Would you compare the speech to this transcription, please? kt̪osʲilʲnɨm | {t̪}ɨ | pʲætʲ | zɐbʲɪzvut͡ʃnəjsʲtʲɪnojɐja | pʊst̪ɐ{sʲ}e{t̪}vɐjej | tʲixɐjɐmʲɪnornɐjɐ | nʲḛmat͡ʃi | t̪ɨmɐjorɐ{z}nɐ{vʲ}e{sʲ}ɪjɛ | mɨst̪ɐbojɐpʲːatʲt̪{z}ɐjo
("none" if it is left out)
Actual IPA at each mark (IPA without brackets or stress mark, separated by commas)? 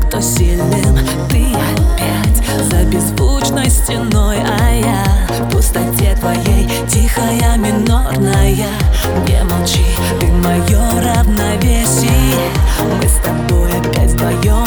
t̪, tʲ, t̪, v, vʲ, sʲ, v